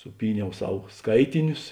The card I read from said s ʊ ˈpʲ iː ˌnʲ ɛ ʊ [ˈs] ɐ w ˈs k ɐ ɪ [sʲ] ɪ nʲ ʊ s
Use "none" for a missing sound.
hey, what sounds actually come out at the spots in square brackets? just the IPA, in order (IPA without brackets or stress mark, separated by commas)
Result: s, tʲ